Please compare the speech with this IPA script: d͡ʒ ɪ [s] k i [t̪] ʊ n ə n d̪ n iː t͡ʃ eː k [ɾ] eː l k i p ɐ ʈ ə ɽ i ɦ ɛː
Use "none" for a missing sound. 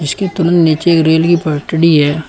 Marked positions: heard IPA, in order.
s, t̪, ɾ

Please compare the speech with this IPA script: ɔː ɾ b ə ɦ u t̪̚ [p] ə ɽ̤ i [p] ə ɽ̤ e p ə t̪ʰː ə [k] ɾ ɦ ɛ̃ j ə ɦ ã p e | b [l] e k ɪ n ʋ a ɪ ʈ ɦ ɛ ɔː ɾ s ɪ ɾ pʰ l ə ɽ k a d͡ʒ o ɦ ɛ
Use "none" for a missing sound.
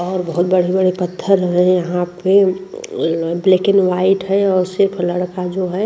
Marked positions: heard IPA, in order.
b, b, none, l

